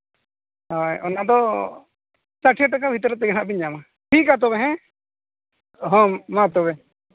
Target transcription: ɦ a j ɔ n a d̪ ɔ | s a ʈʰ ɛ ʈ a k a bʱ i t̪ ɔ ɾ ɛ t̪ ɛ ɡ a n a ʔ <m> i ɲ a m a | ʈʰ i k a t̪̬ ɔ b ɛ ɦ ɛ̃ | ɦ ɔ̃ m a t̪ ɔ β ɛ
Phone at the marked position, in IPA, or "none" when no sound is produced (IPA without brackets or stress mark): b